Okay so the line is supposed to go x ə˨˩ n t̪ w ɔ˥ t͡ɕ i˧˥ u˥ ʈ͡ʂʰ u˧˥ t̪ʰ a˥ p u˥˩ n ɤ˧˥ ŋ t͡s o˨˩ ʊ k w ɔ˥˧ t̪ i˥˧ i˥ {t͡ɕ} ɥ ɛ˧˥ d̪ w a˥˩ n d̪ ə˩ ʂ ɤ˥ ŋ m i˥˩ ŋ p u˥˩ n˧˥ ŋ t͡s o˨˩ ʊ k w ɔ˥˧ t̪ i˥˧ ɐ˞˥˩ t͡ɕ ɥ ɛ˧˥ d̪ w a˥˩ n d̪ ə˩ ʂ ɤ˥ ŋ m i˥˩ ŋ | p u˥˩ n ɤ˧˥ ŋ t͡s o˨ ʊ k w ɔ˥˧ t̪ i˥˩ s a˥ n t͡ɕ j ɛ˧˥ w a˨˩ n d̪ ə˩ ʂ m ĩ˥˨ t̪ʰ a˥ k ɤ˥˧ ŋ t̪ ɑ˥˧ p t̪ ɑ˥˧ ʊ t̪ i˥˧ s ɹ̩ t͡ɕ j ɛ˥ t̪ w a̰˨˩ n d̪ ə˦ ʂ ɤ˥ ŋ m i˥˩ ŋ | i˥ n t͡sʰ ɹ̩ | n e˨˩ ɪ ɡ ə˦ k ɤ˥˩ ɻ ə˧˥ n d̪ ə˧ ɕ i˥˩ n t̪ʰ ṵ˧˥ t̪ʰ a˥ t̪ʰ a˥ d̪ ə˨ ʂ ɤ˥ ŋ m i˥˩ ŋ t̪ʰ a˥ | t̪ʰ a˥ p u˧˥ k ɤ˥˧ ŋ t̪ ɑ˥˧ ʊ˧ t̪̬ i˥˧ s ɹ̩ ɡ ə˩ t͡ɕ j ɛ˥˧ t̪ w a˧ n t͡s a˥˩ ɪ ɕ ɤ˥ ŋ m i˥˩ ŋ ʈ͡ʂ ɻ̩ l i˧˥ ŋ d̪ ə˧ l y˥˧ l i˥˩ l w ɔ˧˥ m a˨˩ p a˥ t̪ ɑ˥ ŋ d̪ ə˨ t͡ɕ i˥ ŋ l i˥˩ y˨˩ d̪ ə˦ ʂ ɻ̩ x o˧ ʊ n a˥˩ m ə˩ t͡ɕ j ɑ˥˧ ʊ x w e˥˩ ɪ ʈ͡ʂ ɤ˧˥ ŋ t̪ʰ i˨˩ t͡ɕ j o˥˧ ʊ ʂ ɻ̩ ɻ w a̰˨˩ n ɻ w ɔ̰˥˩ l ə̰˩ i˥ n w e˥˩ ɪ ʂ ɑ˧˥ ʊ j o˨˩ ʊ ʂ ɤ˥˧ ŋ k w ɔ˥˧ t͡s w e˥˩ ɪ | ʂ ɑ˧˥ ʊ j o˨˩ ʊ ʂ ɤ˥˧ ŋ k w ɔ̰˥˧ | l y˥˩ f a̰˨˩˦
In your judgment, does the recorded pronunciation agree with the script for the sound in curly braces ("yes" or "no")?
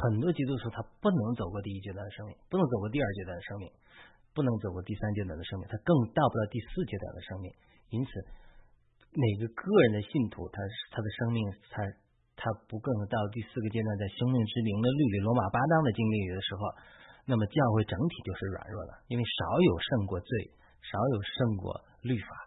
yes